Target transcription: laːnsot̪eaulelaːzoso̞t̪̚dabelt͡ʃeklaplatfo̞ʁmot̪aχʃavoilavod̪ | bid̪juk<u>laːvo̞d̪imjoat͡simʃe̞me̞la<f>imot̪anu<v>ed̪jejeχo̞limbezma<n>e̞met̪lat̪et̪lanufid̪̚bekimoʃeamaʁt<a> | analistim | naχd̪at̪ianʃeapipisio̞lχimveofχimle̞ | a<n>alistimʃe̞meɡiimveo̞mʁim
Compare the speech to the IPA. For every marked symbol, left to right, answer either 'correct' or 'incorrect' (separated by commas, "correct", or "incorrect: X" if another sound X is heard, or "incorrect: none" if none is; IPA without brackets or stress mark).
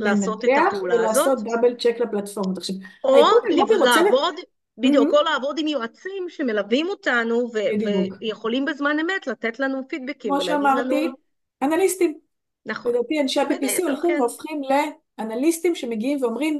incorrect: o, incorrect: v, correct, correct, incorrect: i, correct